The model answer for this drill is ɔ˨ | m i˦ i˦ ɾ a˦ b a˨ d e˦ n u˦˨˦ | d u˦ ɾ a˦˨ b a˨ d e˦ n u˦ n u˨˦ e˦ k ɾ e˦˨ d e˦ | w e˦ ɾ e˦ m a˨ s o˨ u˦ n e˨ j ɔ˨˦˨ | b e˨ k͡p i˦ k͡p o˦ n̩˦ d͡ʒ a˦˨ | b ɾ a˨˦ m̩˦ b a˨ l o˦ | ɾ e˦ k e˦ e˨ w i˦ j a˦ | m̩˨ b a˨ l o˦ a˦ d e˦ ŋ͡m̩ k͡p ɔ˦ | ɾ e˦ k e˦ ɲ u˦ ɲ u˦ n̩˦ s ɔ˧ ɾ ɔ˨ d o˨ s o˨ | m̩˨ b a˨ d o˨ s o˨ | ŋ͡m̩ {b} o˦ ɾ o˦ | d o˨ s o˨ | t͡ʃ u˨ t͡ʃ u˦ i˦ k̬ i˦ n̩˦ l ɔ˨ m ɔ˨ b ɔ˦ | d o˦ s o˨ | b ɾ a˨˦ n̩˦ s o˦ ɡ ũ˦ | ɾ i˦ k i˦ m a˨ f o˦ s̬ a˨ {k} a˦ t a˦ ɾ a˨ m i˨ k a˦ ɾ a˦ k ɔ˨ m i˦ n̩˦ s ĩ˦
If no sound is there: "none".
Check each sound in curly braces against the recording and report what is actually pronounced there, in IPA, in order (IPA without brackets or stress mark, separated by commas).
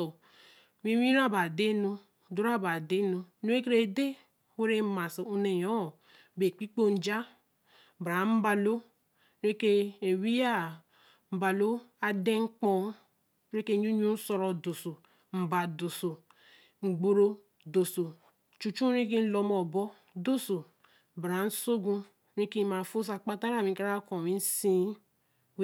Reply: ɡ͡b, k͡p